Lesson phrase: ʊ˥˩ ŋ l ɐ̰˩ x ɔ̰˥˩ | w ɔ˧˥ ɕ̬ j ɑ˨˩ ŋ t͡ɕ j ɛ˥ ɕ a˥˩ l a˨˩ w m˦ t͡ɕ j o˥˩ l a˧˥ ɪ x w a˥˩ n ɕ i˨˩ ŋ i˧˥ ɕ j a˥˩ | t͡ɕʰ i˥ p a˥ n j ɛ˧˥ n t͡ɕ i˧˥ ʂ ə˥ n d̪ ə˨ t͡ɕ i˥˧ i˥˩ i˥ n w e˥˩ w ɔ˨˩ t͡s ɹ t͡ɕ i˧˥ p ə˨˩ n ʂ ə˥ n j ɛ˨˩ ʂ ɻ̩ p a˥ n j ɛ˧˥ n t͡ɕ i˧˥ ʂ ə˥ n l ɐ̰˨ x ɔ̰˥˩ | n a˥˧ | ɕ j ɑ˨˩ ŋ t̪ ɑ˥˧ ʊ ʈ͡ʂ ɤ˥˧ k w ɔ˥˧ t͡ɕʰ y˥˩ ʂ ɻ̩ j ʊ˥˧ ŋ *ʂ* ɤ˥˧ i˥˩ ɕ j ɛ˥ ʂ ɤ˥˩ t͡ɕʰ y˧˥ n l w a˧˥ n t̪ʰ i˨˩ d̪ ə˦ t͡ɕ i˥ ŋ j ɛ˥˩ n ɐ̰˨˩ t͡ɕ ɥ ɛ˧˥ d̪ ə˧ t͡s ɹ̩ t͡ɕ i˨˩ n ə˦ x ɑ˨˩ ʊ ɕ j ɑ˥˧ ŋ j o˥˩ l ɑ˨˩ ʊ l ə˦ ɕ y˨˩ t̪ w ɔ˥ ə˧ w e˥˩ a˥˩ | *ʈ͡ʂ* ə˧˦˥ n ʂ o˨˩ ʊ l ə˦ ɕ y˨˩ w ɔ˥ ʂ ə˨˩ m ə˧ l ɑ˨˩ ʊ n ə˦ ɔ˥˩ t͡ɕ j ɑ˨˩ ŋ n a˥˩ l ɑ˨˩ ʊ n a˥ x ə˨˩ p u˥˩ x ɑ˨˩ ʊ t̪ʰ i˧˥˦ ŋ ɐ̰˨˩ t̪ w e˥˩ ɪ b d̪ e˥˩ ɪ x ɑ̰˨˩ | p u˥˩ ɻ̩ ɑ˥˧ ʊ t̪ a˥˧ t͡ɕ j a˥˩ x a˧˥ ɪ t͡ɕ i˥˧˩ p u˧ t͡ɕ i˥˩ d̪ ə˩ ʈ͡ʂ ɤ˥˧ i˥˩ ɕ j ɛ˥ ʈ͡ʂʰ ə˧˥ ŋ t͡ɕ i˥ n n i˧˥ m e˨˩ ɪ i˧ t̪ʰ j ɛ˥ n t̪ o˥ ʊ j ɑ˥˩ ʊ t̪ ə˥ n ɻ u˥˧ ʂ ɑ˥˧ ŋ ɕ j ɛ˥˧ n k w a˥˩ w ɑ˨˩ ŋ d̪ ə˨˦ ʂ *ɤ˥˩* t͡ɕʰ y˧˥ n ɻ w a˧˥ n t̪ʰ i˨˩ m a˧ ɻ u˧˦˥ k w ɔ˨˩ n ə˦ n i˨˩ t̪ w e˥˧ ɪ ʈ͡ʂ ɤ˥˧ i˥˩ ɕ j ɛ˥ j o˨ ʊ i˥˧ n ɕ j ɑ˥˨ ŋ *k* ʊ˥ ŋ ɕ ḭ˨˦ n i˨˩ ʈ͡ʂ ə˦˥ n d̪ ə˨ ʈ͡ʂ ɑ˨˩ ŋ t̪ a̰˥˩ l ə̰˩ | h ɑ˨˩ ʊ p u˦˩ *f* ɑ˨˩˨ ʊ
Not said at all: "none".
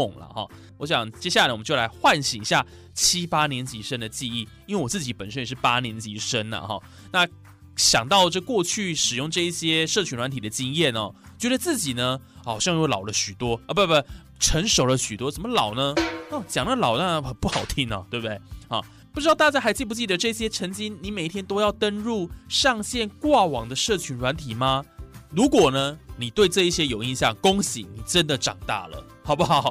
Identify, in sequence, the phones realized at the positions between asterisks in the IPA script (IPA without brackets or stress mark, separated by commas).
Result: ʈ͡ʂ, ʈ͡ʂʰ, ɤ˥˩, k, x